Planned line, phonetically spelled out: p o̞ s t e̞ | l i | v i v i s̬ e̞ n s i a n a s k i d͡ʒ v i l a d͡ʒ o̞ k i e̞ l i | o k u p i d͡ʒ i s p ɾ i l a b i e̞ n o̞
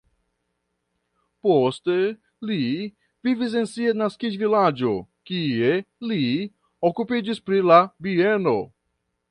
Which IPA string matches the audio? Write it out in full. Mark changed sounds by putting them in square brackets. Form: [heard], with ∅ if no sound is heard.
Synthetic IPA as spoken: p o̞ s t e̞ | l i | v i v i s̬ e̞ n s i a n a s k i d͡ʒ v i l a d͡ʒ o̞ k i e̞ l i | o k u p i d͡ʒ i s p ɾ i l a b i e̞ n o̞